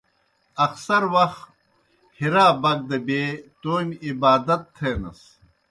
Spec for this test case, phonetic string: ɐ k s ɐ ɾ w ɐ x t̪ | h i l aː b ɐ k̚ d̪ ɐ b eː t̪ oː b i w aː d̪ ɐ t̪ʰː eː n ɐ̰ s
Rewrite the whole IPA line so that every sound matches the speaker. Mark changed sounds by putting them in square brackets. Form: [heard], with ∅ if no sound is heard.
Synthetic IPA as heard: ɐ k s ɐ ɾ w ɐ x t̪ | h i [ɾ] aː b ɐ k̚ d̪ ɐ b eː t̪ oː [m] i [b] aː d̪ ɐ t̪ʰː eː n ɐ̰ s